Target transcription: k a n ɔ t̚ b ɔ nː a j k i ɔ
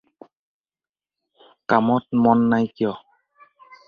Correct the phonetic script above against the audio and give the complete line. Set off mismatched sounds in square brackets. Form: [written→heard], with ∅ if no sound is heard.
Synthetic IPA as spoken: k a [n→m] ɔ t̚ [b→m] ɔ nː a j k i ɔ

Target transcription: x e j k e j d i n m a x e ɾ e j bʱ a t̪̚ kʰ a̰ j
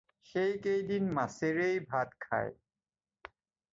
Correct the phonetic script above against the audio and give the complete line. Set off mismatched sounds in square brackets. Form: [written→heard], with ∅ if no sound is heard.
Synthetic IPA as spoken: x e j k e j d i n m a [x→s] e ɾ e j bʱ a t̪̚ kʰ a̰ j

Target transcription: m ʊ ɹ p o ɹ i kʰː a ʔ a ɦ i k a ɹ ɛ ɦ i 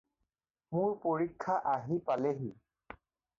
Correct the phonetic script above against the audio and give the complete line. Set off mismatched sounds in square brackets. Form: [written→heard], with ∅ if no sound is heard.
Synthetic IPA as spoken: m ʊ ɹ p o ɹ i kʰː a ʔ a ɦ i [k→p] a [ɹ→l] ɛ ɦ i

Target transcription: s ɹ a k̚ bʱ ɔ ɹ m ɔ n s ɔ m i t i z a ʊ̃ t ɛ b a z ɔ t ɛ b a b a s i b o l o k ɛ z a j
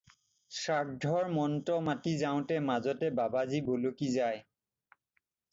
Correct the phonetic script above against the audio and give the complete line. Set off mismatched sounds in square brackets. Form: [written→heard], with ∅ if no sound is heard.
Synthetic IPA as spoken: s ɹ a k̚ [bʱ→dʱ] ɔ ɹ m ɔ n [s→t] ɔ m [i→a] t i z a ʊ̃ t ɛ [b→m] a z ɔ t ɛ b a b a [s→z] i b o l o k [ɛ→i] z a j

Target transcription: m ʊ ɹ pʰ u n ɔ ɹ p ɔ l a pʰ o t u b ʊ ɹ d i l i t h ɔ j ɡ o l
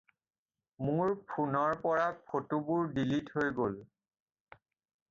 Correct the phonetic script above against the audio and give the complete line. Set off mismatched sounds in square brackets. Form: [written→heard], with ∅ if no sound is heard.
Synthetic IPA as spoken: m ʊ ɹ pʰ u n ɔ ɹ p ɔ [l→ɹ] a pʰ o t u b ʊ ɹ d i l i t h [ɔ→o] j ɡ o l

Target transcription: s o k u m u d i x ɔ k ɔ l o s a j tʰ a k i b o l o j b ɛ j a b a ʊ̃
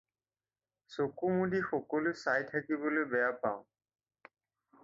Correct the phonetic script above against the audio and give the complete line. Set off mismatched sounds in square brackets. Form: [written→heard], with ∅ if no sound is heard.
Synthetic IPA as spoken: s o k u m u d i x ɔ k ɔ l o s a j tʰ a k i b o l o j b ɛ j a [b→p] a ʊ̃

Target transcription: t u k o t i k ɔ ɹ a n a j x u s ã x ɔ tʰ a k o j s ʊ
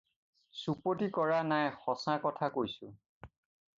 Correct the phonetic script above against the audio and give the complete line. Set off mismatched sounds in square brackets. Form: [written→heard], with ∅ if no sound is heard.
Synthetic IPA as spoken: [t→s] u [k→p] o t i k ɔ ɹ a n a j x [u→ɔ] s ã [x→k] ɔ tʰ a k o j s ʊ

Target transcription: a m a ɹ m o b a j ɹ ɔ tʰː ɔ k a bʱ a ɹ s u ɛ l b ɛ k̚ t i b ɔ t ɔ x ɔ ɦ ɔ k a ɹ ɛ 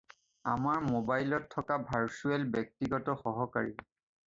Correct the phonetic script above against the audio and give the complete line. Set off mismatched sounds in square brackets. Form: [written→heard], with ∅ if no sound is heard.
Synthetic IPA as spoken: a m a ɹ m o b a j [ɹ→l] ɔ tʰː ɔ k a bʱ a ɹ s u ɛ l b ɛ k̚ t i [b→ɡ] ɔ t ɔ x ɔ ɦ ɔ k a ɹ [ɛ→i]

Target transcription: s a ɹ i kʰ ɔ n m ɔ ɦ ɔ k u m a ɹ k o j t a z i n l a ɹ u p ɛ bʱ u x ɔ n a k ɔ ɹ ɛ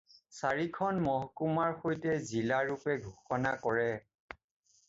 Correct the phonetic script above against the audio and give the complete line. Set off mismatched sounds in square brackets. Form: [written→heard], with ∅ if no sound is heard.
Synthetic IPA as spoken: s a ɹ i kʰ ɔ n m ɔ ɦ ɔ k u m a ɹ [k→x] o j t [a→ɛ] z i [n→∅] l a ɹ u p ɛ [bʱ→ɡʱ] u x ɔ n a k ɔ ɹ ɛ

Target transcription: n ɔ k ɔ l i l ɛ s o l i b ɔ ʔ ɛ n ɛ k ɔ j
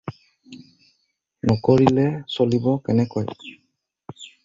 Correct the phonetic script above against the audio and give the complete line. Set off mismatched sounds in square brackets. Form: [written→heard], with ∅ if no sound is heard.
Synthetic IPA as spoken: n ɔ k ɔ [l→ɹ] i l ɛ s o l i b ɔ [ʔ→k] ɛ n ɛ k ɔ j

